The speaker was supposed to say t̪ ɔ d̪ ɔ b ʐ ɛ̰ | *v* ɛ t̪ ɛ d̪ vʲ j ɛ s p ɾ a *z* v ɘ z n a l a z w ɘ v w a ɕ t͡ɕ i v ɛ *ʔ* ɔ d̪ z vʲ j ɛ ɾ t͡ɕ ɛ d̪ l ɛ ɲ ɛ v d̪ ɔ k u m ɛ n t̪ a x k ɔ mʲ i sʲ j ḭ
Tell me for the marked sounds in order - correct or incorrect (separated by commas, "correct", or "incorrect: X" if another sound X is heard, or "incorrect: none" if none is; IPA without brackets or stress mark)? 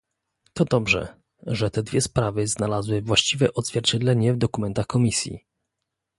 incorrect: ʐ, incorrect: none, correct